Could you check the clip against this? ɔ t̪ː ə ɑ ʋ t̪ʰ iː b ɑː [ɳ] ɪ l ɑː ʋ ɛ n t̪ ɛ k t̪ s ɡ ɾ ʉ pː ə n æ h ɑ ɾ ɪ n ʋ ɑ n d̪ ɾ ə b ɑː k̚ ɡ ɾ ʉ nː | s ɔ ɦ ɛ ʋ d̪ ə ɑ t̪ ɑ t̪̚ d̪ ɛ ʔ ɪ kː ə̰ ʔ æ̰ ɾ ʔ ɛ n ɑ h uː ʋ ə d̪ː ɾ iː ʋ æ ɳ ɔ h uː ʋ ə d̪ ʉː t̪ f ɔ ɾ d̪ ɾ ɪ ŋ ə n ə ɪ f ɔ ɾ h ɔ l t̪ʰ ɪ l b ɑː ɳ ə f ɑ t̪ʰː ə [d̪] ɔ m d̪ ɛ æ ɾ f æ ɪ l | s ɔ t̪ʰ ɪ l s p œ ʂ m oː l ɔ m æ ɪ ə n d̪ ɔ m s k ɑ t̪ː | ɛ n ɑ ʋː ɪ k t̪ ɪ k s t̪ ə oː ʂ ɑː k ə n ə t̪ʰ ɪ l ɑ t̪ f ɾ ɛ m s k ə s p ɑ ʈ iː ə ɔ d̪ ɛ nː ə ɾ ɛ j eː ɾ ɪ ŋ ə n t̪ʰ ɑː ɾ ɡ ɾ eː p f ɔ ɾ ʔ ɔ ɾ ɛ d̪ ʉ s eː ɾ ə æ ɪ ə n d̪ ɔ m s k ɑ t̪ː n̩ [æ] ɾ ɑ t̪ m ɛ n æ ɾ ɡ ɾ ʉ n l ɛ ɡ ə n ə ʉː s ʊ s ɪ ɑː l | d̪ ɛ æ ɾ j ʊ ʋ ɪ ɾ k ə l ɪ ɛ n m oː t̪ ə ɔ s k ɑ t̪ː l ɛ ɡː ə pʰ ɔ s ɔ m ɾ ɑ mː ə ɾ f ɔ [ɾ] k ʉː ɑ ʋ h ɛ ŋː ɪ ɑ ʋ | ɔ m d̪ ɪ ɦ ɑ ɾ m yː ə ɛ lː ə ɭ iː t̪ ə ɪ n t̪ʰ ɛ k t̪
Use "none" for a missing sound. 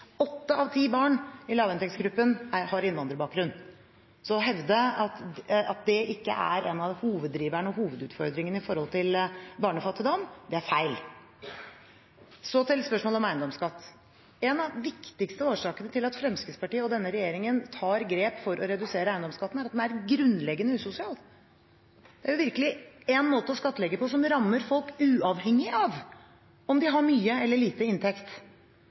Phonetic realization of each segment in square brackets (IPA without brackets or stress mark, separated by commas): ɳ, d̪, æ, l